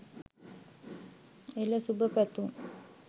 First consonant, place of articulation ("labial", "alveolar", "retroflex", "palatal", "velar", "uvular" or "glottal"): alveolar